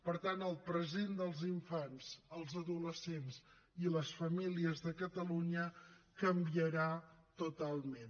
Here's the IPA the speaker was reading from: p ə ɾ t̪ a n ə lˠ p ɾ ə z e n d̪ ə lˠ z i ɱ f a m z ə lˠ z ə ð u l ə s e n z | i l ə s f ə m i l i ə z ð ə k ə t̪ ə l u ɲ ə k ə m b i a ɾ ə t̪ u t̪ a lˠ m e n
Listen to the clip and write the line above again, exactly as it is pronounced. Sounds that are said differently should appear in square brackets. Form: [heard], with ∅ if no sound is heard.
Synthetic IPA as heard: p ə ɾ t̪ a n ə lˠ p ɾ ə z e n d̪ ə lˠ z i ɱ f a [n] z ə lˠ z ə ð u l ə s e n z | i l ə s f ə m i l i ə z ð ə k ə t̪ ə l u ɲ ə k ə m b i [ə] ɾ [a] t̪ u t̪ a lˠ m e n

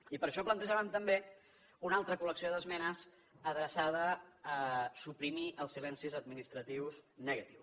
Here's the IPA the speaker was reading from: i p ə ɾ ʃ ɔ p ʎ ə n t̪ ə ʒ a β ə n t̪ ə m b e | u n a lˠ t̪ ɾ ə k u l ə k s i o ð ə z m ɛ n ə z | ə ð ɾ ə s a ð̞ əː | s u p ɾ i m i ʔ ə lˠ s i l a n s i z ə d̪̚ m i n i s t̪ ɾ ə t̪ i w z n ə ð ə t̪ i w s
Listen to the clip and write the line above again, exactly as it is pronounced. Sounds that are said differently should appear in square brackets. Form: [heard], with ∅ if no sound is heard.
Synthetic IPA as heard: i p ə ɾ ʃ ɔ p [l] ə n t̪ ə ʒ a β ə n t̪ ə m b e | u n a lˠ t̪ ɾ ə k u l ə k s i o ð ə z m ɛ n ə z | ə ð ɾ ə s a ð̞ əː | s u p ɾ i m i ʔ ə lˠ s i l [ɛ] n s i z ə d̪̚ m i n i s t̪ ɾ ə t̪ i w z n ə [ɣ] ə t̪ i w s

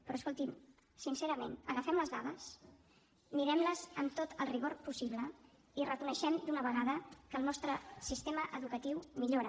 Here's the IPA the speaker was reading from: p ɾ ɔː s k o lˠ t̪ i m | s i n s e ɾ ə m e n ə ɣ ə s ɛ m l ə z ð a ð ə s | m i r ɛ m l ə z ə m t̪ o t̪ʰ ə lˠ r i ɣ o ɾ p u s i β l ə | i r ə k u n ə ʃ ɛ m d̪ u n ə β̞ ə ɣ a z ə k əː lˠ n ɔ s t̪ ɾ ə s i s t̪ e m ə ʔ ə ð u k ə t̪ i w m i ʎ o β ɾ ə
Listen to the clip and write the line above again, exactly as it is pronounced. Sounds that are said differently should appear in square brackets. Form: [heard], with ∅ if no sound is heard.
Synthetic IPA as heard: p ɾ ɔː s k o lˠ t̪ i m | s i n s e ɾ ə m e n ə ɣ ə [f] ɛ m l ə z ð a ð ə s | m i [ɾ] ɛ m l ə z ə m t̪ o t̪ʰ ə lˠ r i ɣ o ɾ p u s i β l ə | i r ə k u n ə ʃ ɛ m d̪ u n ə β̞ ə ɣ a [ð] ə k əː lˠ n ɔ s t̪ ɾ ə s i s t̪ e m ə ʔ ə ð u k ə t̪ i w m i ʎ o [∅] ɾ ə

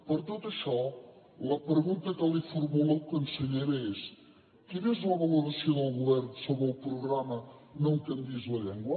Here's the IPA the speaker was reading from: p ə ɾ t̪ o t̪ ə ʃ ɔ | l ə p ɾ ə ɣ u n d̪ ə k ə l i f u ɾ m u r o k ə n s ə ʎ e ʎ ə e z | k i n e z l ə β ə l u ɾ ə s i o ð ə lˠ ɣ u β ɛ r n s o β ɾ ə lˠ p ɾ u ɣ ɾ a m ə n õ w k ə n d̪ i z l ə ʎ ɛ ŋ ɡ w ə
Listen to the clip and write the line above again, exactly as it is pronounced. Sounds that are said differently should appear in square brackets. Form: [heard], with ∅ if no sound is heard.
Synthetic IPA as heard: p ə ɾ t̪ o t̪ ə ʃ ɔ | l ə p ɾ ə ɣ u n [t̪] ə k ə l i f u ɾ m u [l] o k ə n s ə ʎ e [ɾ] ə e [s] | k i n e z l ə β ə l u ɾ ə s i o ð ə lˠ ɣ u β ɛ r n s o β ɾ ə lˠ p ɾ u ɣ ɾ a m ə n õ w k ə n d̪ i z l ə ʎ ɛ ŋ ɡ w ə

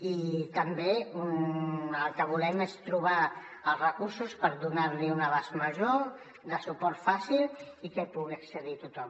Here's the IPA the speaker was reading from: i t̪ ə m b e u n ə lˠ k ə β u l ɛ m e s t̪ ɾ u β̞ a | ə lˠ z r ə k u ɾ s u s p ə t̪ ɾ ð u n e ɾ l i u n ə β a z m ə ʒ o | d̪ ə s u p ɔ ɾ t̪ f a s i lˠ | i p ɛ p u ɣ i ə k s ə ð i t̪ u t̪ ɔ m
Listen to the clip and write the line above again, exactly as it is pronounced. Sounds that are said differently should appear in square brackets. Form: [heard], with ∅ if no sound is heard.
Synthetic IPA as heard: i t̪ ə m b e u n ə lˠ k ə β u l ɛ m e s t̪ ɾ u β̞ a | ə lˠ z r ə k u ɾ s u s p ə [∅] ɾ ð u n [a] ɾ l i u n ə β a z m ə ʒ o | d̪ ə s u p ɔ ɾ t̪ f a s i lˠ | i [k] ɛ p u ɣ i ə k s ə ð i t̪ u t̪ ɔ m

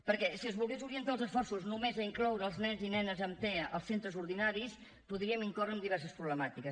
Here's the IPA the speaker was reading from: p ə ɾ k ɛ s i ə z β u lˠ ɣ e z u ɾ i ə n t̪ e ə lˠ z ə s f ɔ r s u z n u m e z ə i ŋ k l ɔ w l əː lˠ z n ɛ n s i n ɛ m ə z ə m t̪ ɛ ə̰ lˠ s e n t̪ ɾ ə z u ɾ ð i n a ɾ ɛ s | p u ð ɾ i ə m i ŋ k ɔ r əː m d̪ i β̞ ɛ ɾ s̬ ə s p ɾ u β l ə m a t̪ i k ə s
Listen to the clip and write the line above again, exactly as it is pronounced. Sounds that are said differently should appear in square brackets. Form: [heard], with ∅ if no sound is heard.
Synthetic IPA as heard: p ə ɾ k ɛ s i ə z β u lˠ ɣ e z u ɾ i ə n t̪ [a] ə lˠ z ə s f ɔ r s u z n u m e z ə i ŋ k l ɔ w [ɾ] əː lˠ z n ɛ n [z] i n ɛ [n] ə z ə m t̪ ɛ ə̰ lˠ s e n t̪ ɾ ə z u ɾ ð i n a ɾ [i] s | p u ð ɾ i ə m i ŋ k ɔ r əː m d̪ i β̞ ɛ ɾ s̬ ə s p ɾ u β l ə m a t̪ i k ə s

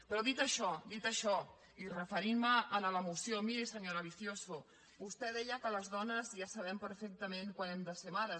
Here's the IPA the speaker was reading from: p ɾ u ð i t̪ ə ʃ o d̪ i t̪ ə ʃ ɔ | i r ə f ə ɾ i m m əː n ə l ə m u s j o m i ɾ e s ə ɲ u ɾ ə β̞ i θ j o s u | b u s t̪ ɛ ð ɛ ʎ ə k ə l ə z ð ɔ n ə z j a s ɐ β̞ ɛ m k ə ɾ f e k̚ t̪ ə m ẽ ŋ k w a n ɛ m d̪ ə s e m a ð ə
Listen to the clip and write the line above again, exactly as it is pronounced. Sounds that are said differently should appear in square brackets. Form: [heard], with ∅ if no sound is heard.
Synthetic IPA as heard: p ɾ [ɔ] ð i t̪ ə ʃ [ɔ] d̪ i t̪ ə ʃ ɔ | i r ə f ə ɾ i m m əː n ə l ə m u s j o m i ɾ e s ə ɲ [o] ɾ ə β̞ i θ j o s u | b u s t̪ ɛ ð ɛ ʎ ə k ə l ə z ð ɔ n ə z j a s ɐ β̞ ɛ m [p] ə ɾ f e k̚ t̪ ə m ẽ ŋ k w a n ɛ m d̪ ə s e m a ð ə

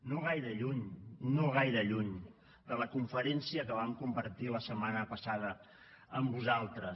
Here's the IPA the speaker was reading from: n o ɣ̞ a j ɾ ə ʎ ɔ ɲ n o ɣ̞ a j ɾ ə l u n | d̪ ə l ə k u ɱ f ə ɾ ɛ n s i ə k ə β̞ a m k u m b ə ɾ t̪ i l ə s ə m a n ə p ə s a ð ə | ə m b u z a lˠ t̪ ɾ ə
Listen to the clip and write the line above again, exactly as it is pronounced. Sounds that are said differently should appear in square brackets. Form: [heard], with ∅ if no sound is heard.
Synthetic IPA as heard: n o ɣ̞ a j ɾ ə ʎ [u] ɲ n o ɣ̞ a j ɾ ə [ʎ] u [ɲ] | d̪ ə l ə k u ɱ f ə ɾ ɛ n s i ə k ə β̞ a m k u m b ə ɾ t̪ i l ə s ə m a n ə p ə s a ð ə | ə m b u z a lˠ t̪ ɾ ə

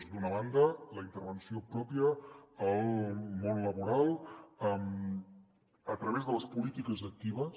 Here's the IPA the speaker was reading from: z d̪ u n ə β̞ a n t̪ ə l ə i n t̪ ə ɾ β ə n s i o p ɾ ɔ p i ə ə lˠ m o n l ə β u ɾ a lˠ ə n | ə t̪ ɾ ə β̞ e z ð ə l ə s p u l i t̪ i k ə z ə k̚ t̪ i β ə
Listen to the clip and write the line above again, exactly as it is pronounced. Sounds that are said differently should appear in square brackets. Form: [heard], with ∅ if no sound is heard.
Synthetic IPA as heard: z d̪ u n ə β̞ a n [d̪] ə l ə i n t̪ ə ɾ β ə n s i o p ɾ ɔ p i ə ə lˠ m o n l ə β u ɾ a lˠ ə [m] | ə t̪ ɾ ə β̞ e z ð ə l ə s p u l i t̪ i k ə z ə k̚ t̪ i β ə

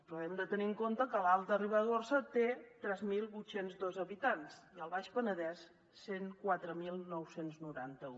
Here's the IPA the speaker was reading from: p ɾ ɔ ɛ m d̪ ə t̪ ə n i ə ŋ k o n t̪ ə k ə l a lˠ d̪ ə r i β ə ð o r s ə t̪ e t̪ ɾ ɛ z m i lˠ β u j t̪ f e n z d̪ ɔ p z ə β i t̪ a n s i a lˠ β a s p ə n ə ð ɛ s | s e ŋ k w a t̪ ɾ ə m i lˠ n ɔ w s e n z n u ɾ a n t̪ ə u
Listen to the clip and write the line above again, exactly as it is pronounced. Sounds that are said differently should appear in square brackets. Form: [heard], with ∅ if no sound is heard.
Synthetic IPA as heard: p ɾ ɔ ɛ m d̪ ə t̪ ə n i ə ŋ k o n t̪ ə k ə l a lˠ [t̪] ə r i β ə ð o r s ə t̪ e t̪ ɾ ɛ z m i lˠ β u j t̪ [s] e n z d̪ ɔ [∅] z ə β i t̪ a n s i [ə] lˠ β a [ʃ] p ə n ə ð ɛ s | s e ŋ k w a t̪ ɾ ə m i lˠ n ɔ w s e n z n u ɾ a n t̪ ə u

